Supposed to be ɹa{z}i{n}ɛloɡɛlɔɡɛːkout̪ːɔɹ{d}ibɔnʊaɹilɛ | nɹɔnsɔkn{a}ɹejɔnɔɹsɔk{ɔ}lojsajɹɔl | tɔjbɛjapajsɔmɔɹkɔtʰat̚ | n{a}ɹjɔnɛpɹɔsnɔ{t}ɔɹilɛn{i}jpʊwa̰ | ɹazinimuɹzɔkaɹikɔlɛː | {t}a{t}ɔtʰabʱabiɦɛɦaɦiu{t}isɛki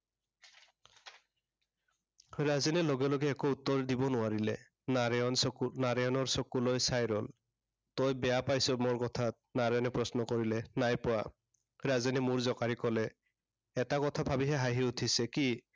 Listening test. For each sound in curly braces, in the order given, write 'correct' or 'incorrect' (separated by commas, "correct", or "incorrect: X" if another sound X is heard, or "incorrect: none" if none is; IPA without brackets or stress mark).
correct, correct, correct, correct, incorrect: u, correct, incorrect: k, incorrect: a, correct, incorrect: k, incorrect: tʰ